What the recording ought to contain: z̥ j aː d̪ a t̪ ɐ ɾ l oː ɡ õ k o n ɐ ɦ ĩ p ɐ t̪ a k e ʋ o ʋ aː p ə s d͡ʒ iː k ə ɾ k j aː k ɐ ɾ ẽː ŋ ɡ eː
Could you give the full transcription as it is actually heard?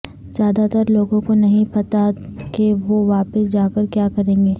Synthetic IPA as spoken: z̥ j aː d̪ a t̪ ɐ ɾ l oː ɡ õ k o n ɐ ɦ ĩ p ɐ t̪ a k e ʋ o ʋ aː p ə s d͡ʒ aː k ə ɾ k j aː k ɐ ɾ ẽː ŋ ɡ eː